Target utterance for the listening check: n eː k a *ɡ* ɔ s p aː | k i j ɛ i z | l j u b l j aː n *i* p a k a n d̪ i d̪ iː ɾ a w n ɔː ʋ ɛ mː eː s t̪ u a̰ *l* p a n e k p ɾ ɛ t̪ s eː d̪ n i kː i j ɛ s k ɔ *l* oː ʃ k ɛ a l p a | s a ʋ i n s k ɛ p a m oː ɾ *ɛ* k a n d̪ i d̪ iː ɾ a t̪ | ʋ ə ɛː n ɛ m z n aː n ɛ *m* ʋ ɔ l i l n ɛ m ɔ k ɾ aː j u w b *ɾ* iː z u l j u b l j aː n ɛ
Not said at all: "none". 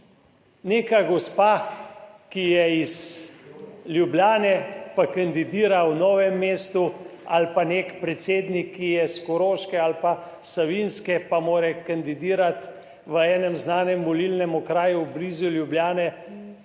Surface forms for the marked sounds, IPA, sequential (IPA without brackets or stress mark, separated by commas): ɡ, ɛ, l, ɾ, ɛ, m, l